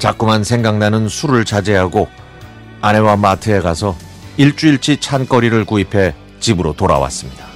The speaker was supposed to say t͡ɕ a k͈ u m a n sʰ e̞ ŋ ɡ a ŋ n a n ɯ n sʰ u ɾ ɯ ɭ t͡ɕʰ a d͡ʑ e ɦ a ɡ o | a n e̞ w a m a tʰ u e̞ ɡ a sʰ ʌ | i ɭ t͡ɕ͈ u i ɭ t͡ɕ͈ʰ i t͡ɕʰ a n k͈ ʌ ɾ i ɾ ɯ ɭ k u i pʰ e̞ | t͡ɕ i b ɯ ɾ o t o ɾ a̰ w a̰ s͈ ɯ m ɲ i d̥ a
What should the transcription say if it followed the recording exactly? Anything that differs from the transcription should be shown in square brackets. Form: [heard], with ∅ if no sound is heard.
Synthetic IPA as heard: t͡ɕ a k͈ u m a n sʰ e̞ ŋ ɡ a ŋ n a n ɯ n sʰ u ɾ ɯ ɭ [t͡ɕ] a d͡ʑ e ɦ a ɡ o | a n e̞ w a m a tʰ [ɯ] e̞ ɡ a sʰ ʌ | i ɭ t͡ɕ͈ u i ɭ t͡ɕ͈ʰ i t͡ɕʰ a n k͈ ʌ ɾ i ɾ ɯ ɭ k u i pʰ e̞ | t͡ɕ i b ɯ ɾ o t o ɾ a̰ w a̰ s͈ ɯ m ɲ i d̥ a